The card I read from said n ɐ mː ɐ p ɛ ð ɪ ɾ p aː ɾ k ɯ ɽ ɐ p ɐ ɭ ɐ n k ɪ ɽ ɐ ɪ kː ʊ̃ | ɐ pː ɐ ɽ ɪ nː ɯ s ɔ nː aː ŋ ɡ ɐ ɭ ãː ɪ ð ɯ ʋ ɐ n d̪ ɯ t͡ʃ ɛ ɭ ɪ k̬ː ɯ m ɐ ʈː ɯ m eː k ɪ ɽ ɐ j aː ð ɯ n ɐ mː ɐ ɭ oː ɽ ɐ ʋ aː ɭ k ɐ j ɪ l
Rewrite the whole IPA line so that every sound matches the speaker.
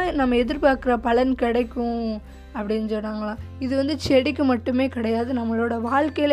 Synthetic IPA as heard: n ɐ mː ɐ ɛ ð ɪ ɾ p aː ɾ k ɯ ɾ ɐ p ɐ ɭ ɐ n k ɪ ɽ ɐ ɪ kː ʊ̃ | ɐ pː ɐ ɽ ɪ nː ɯ s ɔ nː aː ŋ ɡ ɐ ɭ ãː ɪ ð ɯ ʋ ɐ n d̪ ɯ t͡ʃ ɛ ɽ ɪ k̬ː ɯ m ɐ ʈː ɯ m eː k ɪ ɽ ɐ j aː ð ɯ n ɐ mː ɐ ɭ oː ɽ ɐ ʋ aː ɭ k ɐ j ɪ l